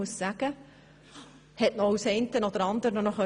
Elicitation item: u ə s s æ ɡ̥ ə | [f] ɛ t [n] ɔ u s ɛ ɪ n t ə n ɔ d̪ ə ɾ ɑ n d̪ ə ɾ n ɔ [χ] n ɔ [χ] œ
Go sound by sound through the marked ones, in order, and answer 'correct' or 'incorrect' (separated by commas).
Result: incorrect, correct, incorrect, correct